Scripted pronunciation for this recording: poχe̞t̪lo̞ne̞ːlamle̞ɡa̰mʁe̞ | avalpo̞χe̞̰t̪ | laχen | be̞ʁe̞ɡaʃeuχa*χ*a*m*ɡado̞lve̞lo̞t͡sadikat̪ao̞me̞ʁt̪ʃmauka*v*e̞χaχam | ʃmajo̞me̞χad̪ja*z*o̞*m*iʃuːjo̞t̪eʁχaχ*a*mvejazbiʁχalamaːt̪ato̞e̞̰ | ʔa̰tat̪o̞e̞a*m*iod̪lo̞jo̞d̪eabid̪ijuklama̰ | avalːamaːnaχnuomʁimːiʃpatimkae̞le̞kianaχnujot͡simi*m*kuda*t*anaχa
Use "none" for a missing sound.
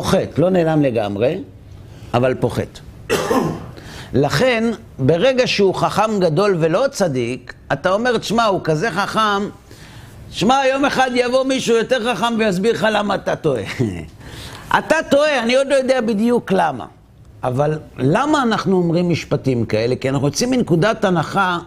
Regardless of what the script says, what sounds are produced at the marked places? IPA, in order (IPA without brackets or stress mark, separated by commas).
χ, m, z, v, m, a, n, n, t